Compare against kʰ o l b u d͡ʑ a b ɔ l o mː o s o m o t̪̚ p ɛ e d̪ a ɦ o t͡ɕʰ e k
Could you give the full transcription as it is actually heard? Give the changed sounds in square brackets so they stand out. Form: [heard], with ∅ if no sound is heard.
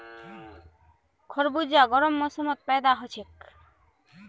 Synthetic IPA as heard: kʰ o [ɾ] b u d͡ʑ a [ɡ] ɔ [ɾ] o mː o s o m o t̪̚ p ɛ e d̪ a ɦ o t͡ɕʰ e k